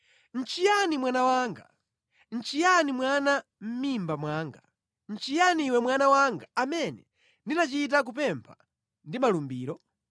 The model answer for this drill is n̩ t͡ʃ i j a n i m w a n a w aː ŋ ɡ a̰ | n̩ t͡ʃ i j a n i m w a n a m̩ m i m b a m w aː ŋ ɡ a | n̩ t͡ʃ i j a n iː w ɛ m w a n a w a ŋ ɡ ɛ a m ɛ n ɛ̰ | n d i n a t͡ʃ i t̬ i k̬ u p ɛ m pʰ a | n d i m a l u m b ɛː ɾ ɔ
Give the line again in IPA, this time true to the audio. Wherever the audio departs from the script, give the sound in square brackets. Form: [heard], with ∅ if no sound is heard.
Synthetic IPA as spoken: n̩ t͡ʃ i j a n i m w a n a w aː ŋ ɡ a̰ | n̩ t͡ʃ i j a n i m w a n a m̩ m i m b a m w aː ŋ ɡ a | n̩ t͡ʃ i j a n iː w ɛ m w a n a w a ŋ ɡ [a] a m ɛ n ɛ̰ | n d i n a t͡ʃ i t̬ [a] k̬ u p ɛ m pʰ a | n d i m a l u m b [iː] ɾ ɔ

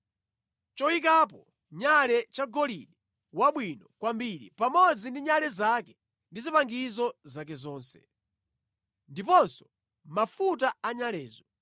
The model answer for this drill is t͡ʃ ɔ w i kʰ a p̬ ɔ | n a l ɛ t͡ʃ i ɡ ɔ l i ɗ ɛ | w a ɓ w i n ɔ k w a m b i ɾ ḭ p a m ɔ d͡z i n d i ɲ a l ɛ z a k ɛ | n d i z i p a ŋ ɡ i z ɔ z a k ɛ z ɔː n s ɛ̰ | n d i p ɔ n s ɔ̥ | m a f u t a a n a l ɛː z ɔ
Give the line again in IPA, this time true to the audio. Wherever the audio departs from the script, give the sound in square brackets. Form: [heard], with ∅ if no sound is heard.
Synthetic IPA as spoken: t͡ʃ ɔ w i [k] a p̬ ɔ | [ɲ] a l ɛ t͡ʃ [a] ɡ ɔ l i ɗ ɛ | w a ɓ w i n ɔ k w a m b i ɾ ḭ p a m ɔ d͡z i n d i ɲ a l ɛ z a k ɛ | n d i z i p a ŋ ɡ i z ɔ z a k ɛ z ɔː n s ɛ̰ | n d i p ɔ n s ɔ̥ | m a f u t a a [ɲ] a l ɛː z ɔ

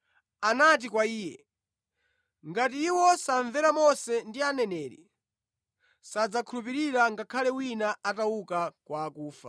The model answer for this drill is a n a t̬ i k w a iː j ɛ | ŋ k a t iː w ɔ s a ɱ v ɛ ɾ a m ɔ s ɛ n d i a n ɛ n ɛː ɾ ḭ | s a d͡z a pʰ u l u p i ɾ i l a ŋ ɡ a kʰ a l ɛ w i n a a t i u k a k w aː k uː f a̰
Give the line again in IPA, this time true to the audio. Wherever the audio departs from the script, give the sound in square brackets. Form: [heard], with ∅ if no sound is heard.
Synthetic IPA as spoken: a n a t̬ i k w a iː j ɛ | ŋ [ɡ] a t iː w ɔ s a ɱ v ɛ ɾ a m ɔ s ɛ n d i a n ɛ n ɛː ɾ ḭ | s a d͡z a [kʰ] u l u p i ɾ i [ɾ] a ŋ ɡ a kʰ a l ɛ w i n a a t [a] u k a k w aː k uː f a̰

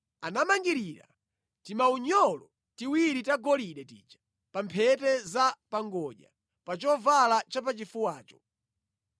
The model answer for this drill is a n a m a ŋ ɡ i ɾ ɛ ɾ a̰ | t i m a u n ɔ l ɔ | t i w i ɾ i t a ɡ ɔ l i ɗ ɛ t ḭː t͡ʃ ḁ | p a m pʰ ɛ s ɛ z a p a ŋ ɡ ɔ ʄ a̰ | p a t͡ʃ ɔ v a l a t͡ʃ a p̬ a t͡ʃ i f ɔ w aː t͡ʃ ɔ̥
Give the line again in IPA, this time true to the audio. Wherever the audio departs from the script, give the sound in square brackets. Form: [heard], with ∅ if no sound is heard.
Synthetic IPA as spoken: a n a m a ŋ ɡ i ɾ [i] ɾ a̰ | t i m a u [ɲ] ɔ l ɔ | t i w i ɾ i t a ɡ ɔ l i ɗ ɛ t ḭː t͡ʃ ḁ | p a m pʰ ɛ [t] ɛ z a p a ŋ ɡ ɔ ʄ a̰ | p a t͡ʃ ɔ v a l a t͡ʃ a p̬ a t͡ʃ i f [u] w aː t͡ʃ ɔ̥

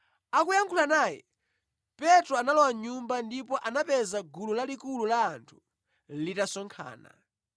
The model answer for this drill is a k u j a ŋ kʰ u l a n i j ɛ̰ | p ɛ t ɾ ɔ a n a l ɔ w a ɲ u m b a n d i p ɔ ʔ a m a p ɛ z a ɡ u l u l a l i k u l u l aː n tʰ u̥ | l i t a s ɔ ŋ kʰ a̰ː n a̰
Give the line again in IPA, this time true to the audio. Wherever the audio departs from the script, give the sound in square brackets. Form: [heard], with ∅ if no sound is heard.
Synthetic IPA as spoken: a k u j a ŋ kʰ u l a n [a] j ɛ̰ | p ɛ t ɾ ɔ a n a l ɔ w a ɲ u m b a n d i p ɔ ʔ a [n] a p ɛ z a ɡ u l u l a l i k u l u l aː n tʰ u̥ | l i t a s ɔ ŋ kʰ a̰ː n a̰

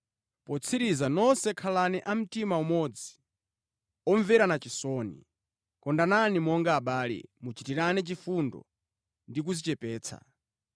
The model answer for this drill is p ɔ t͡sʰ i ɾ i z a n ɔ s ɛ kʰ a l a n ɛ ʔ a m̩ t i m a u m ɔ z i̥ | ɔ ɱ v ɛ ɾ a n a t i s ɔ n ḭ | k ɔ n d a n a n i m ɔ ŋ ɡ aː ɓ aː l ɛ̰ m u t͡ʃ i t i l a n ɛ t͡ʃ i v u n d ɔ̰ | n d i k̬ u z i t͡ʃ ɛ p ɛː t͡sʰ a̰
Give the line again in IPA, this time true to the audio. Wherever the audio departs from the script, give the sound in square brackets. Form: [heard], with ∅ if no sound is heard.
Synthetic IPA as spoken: p ɔ t͡sʰ i ɾ i z a n ɔ s ɛ kʰ a l a n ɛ ʔ a m̩ t i m a u m ɔ [d͡z] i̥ | ɔ ɱ v ɛ ɾ a n a [t͡ʃ] i s ɔ n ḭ | k ɔ n d a n a n i m ɔ ŋ ɡ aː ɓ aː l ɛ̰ m u t͡ʃ i t i [ɾ] a n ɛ t͡ʃ i [f] u n d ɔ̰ | n d i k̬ u z i t͡ʃ ɛ p ɛː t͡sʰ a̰

